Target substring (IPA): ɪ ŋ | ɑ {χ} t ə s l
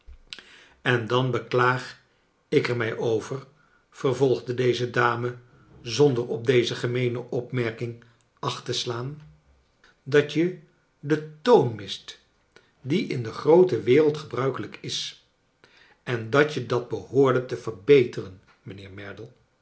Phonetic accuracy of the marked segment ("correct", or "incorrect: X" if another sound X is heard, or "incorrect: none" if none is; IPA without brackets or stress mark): correct